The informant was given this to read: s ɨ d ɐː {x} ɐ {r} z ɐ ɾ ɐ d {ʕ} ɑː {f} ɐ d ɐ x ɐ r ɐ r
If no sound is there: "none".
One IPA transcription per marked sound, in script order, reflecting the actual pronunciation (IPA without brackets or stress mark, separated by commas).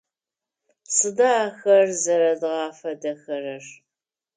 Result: x, r, ʁ, f